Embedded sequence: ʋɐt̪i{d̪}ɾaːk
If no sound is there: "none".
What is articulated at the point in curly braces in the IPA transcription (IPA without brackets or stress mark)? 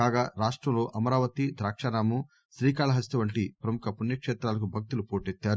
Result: d̪